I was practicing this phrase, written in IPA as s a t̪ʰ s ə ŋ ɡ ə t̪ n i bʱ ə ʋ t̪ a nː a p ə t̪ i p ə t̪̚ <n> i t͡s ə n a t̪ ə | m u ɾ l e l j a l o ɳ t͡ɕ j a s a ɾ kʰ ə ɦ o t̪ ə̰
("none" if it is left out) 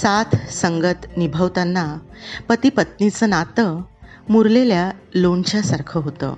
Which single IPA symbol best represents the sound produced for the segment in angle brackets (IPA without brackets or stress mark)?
n